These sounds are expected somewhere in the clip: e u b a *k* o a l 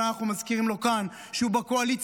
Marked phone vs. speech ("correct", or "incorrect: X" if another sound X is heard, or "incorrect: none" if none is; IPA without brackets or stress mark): correct